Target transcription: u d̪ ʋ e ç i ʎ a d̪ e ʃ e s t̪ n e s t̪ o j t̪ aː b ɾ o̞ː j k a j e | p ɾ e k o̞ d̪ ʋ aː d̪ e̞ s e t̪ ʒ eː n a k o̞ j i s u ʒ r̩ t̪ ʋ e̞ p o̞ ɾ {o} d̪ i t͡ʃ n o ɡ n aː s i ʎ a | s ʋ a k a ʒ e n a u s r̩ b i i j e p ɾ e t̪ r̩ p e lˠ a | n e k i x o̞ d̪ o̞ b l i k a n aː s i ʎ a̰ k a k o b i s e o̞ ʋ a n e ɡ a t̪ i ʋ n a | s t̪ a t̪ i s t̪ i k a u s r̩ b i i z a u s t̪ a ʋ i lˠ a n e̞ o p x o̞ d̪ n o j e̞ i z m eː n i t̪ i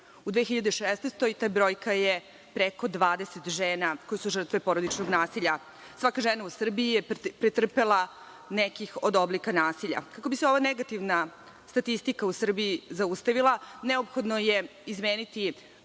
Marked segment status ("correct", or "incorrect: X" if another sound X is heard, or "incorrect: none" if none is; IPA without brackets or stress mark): correct